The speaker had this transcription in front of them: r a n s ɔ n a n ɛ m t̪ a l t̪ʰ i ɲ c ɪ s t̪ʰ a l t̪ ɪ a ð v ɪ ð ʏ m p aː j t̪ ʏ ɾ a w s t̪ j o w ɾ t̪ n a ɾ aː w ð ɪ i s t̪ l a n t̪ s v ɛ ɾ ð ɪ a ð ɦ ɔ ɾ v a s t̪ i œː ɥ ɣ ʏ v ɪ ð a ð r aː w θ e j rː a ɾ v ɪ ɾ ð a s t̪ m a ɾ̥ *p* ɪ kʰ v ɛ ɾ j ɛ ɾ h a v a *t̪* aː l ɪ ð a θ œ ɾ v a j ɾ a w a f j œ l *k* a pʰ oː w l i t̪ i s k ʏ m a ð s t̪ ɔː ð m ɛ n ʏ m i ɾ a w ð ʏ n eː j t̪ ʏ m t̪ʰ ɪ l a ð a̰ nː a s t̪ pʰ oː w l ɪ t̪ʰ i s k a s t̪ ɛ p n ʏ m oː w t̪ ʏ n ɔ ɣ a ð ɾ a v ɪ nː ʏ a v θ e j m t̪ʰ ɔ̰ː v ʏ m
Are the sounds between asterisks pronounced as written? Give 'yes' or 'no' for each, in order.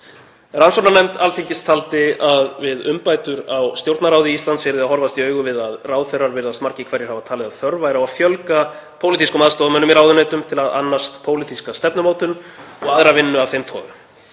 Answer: no, no, yes

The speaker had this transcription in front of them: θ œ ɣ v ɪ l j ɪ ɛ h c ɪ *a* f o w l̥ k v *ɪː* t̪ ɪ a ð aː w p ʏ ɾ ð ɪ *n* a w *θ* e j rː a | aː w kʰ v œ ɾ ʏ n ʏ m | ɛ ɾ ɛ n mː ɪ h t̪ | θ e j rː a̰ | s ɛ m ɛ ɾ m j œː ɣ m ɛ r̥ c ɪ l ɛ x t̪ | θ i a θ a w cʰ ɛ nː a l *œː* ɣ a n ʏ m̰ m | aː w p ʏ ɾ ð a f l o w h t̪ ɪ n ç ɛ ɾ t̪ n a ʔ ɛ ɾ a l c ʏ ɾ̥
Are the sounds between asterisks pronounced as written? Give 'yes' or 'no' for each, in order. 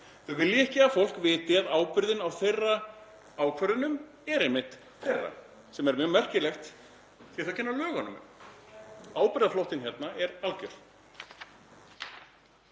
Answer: yes, yes, yes, yes, yes

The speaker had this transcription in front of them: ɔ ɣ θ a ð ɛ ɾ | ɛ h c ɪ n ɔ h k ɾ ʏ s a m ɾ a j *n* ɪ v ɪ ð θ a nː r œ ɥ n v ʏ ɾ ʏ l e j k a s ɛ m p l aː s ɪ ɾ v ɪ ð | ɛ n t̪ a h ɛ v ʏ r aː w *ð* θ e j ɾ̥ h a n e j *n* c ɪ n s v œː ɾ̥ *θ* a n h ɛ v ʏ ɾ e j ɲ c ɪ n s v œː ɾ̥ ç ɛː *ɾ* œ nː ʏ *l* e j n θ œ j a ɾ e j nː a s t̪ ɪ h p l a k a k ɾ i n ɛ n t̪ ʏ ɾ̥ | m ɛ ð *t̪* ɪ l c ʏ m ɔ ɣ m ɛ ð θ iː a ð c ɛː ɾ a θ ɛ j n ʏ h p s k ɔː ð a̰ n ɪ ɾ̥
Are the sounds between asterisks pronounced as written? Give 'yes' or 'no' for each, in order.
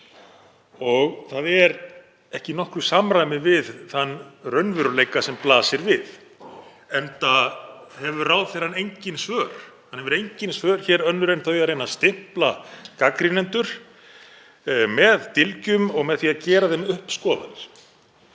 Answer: no, yes, no, no, yes, no, yes

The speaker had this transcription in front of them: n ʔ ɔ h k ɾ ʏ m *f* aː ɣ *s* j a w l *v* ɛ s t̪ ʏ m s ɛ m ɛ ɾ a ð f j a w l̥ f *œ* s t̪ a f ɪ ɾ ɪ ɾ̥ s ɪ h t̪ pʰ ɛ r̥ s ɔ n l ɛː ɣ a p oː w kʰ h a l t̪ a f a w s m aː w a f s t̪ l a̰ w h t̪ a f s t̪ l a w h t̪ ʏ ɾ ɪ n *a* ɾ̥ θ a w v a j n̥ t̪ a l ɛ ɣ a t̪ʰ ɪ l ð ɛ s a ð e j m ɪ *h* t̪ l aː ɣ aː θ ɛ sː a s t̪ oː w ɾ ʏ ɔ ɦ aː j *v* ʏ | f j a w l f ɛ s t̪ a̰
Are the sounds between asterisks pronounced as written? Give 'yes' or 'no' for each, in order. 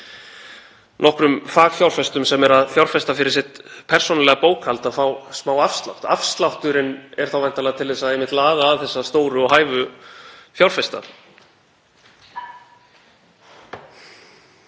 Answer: yes, no, no, no, no, yes, yes

